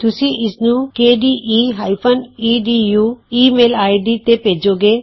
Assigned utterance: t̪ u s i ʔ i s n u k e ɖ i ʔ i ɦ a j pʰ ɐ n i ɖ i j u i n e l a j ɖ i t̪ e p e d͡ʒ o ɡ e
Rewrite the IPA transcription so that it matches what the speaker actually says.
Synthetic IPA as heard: t̪ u s i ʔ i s n u k e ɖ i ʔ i ɦ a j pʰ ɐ n i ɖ i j u i m e l a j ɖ i t̪ e p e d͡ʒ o ɡ e